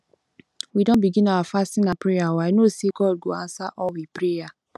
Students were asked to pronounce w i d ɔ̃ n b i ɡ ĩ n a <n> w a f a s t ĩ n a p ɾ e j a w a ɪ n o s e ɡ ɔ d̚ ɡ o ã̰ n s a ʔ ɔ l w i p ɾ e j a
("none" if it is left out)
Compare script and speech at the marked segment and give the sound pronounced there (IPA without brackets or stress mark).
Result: none